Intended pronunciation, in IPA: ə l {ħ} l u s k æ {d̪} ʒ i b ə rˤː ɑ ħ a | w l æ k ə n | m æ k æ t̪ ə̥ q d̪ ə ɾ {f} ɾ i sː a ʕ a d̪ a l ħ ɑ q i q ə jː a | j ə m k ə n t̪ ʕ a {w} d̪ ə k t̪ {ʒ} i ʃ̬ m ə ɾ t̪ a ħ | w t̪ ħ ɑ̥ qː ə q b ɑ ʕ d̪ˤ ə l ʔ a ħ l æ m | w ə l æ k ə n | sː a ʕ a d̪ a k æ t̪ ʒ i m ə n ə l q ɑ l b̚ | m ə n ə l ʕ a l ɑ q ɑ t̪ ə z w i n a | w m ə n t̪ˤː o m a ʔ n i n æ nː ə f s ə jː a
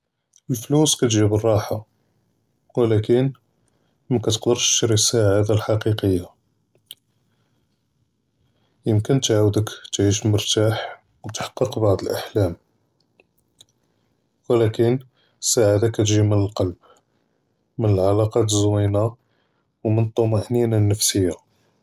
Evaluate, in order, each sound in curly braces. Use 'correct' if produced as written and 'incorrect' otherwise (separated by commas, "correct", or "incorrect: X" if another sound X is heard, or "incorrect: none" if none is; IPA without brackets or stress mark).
incorrect: f, incorrect: t̪, incorrect: ʃ, correct, incorrect: ʕ